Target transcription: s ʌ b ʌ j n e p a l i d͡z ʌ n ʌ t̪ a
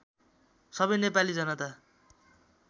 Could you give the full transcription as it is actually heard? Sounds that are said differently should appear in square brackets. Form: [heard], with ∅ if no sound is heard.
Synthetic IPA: s ʌ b ʌ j n e p a l i d͡z ʌ n ʌ t̪ a